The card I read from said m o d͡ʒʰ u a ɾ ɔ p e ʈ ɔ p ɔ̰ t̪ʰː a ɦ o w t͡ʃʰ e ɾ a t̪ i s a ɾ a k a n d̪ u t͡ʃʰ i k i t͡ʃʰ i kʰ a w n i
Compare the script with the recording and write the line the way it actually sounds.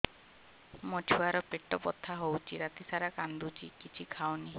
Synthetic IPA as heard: m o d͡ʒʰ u a ɾ ɔ p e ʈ ɔ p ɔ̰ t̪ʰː a ɦ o w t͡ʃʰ i ɾ a t̪ i s a ɾ a k a n d̪ u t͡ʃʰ i k i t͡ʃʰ i kʰ a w n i